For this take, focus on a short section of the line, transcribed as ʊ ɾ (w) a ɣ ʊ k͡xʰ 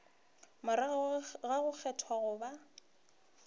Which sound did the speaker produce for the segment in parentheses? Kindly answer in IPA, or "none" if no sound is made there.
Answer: ɣ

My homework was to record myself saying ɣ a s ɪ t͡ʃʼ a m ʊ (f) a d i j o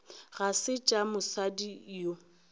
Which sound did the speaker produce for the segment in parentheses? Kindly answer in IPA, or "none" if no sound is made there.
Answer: s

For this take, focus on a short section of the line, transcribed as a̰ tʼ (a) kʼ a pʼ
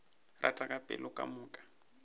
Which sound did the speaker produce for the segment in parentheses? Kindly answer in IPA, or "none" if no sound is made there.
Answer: a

